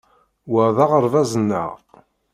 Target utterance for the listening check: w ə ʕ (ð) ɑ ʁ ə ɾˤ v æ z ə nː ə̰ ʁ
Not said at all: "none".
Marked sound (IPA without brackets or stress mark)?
ð